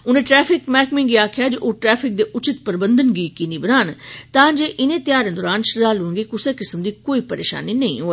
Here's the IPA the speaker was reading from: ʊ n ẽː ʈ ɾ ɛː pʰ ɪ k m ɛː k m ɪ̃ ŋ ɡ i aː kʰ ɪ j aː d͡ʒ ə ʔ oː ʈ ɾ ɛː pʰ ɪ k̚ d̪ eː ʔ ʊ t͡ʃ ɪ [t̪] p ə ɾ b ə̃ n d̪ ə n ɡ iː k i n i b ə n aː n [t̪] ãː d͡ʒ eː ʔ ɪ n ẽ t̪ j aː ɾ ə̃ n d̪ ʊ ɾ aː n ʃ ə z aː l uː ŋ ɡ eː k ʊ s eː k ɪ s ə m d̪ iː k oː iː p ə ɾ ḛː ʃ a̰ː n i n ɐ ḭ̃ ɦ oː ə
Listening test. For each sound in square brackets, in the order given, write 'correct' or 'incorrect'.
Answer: correct, correct

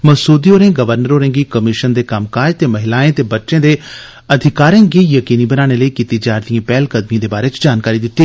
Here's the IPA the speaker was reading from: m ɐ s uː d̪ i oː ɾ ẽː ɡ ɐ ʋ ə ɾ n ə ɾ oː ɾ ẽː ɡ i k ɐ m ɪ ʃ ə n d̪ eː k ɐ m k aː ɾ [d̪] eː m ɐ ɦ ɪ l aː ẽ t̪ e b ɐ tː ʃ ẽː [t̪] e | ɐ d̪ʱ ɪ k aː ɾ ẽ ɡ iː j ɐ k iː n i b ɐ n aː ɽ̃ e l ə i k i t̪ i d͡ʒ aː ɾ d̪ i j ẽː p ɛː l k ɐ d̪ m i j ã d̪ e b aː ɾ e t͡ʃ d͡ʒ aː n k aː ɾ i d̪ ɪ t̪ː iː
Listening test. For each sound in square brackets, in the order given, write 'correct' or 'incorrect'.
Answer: incorrect: t̪, incorrect: d̪

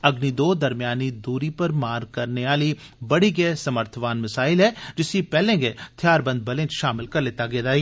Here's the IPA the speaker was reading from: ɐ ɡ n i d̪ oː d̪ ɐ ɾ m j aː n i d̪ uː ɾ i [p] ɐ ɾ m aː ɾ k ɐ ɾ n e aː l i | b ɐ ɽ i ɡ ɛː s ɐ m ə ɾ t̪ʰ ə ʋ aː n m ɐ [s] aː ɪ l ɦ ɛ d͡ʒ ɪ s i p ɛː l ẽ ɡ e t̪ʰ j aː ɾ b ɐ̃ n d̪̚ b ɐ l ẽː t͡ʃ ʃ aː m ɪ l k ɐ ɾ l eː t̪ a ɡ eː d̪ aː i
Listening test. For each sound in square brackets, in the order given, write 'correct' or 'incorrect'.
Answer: correct, correct

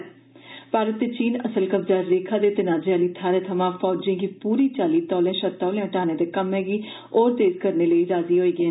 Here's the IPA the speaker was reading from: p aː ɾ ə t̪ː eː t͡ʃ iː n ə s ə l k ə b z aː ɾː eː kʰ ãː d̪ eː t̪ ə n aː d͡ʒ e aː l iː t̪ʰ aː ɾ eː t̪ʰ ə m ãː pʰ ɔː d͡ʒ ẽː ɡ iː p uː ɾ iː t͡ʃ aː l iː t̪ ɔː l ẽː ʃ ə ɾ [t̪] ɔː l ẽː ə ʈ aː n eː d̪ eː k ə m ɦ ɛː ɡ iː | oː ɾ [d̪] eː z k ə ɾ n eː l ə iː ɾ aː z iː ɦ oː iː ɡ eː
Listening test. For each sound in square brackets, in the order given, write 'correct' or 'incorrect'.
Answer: correct, incorrect: t̪

